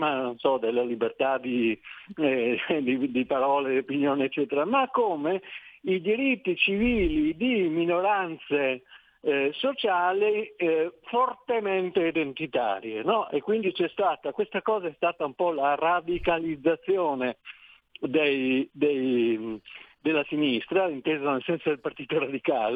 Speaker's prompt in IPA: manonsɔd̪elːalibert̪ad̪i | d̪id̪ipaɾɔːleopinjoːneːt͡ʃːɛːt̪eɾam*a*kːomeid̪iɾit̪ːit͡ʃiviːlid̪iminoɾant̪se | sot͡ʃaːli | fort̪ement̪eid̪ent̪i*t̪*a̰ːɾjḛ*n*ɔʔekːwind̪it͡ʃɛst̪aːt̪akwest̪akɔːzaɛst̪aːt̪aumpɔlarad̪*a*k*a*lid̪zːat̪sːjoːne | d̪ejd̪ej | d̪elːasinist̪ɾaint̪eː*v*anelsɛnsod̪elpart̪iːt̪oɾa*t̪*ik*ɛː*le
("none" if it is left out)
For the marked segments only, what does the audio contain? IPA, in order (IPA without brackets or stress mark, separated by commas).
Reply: a, t̪, n, i, a, z, d̪, aː